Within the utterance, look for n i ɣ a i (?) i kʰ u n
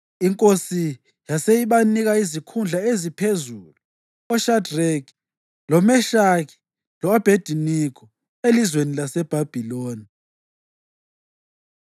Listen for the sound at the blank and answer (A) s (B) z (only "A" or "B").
B